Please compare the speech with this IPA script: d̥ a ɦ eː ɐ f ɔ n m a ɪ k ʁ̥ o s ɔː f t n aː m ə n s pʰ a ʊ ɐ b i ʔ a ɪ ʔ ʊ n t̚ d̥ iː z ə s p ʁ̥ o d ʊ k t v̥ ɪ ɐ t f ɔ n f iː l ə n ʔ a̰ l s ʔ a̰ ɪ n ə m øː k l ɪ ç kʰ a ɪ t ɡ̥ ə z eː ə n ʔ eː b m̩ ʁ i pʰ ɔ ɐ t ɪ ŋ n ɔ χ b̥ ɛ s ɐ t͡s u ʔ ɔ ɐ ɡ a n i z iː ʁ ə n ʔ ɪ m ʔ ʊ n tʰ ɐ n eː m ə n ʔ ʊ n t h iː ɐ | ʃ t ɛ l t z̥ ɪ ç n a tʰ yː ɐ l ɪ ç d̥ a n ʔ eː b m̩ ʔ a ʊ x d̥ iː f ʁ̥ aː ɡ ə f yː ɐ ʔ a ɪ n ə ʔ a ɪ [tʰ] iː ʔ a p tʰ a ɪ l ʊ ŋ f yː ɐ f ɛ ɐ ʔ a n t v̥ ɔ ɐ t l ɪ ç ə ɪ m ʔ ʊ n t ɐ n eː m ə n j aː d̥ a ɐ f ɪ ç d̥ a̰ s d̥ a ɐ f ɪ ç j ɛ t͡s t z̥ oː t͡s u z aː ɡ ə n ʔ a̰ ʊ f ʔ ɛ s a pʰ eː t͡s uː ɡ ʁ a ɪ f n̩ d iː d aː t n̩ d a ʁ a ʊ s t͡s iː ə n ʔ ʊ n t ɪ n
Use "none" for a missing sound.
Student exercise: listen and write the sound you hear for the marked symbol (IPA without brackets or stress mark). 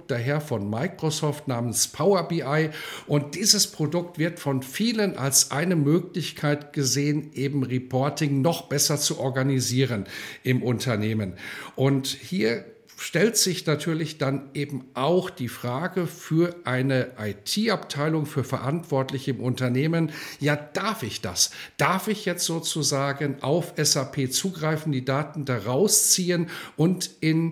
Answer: tʰ